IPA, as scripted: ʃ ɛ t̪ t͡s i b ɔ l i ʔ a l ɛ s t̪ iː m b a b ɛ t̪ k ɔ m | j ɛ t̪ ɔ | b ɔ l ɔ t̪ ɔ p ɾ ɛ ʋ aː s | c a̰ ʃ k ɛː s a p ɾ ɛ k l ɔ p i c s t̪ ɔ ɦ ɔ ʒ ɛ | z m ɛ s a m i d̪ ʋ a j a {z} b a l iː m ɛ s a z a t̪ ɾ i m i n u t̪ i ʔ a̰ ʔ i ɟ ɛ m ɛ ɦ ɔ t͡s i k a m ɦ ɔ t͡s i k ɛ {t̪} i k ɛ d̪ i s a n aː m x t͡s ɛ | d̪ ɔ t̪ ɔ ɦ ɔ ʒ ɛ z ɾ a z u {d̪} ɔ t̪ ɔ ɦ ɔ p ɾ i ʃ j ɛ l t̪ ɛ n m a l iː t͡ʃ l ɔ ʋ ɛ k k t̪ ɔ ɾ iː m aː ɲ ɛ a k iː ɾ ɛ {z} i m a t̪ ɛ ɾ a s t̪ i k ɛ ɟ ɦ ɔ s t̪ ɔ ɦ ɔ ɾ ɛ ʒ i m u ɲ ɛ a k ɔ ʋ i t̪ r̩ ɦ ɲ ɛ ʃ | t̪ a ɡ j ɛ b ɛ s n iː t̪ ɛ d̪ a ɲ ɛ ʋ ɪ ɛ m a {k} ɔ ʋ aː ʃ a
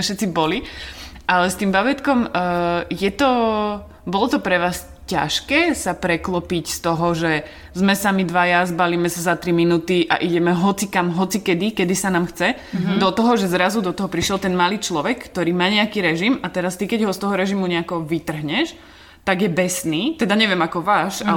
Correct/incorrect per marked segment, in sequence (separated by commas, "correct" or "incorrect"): correct, incorrect, correct, incorrect, correct